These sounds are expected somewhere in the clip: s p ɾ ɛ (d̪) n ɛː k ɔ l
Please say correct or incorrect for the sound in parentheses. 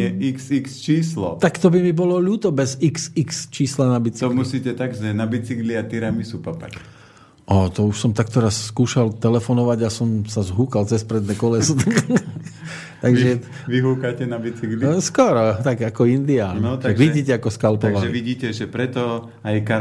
correct